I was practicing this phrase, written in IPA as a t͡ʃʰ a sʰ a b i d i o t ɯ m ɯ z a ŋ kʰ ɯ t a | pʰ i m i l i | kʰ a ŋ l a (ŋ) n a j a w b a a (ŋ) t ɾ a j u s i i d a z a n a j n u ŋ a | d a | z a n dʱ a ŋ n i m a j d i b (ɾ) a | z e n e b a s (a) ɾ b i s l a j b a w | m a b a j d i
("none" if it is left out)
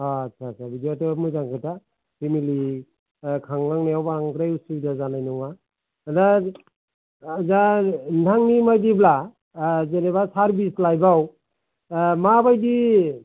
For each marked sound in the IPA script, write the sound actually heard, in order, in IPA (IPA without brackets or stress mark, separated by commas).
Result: ŋ, ŋ, l, a